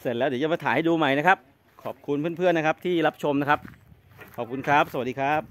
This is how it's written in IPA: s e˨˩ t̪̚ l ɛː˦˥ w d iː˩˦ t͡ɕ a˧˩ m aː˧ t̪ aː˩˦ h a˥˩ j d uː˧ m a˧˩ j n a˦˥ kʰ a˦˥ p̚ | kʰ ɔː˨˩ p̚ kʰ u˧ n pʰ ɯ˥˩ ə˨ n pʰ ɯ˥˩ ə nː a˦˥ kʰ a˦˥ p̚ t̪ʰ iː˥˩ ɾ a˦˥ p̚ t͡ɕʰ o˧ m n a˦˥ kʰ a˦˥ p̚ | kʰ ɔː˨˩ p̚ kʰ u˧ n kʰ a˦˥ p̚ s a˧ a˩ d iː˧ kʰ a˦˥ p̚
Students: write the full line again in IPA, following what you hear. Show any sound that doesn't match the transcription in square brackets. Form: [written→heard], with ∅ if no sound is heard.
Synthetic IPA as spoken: s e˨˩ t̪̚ l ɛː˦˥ w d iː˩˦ t͡ɕ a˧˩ m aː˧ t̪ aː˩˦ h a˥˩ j d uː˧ m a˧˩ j n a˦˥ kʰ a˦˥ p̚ | kʰ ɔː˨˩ p̚ kʰ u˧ n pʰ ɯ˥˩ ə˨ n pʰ ɯ˥˩ ə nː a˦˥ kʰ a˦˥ p̚ t̪ʰ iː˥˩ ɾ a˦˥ p̚ t͡ɕʰ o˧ m n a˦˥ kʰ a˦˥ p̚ | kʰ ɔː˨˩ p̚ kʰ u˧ n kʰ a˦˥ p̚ s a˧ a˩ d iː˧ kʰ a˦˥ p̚